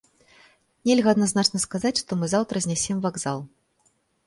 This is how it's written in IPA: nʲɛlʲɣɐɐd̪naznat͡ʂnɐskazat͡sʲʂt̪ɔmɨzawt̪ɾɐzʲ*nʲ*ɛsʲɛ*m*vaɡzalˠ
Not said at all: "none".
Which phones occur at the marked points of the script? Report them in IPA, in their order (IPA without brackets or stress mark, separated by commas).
nʲ, m